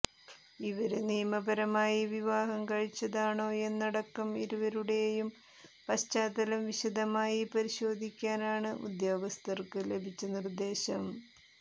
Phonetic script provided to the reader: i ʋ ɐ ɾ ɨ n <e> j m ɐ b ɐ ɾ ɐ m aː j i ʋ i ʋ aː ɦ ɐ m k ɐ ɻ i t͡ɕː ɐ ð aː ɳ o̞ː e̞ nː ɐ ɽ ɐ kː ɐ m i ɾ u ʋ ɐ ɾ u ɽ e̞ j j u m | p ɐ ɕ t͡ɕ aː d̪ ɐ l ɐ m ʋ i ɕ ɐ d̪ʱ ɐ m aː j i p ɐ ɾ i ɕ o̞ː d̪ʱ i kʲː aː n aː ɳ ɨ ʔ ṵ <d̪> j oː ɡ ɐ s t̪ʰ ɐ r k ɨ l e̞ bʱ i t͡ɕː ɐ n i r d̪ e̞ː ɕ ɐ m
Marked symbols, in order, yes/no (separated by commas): no, yes